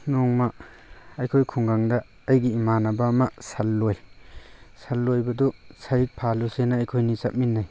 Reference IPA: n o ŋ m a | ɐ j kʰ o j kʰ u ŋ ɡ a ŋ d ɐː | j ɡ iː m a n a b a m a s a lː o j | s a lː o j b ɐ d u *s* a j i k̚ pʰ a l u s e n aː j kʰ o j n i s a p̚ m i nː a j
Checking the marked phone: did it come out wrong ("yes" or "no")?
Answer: no